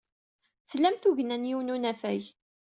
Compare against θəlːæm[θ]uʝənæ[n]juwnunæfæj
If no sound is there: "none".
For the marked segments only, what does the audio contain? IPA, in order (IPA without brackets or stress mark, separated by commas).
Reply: θ, n